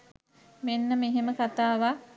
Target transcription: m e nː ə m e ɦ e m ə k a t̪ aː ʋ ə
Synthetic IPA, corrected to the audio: m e nː ə m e ɦ e m ə k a t̪ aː ʋ a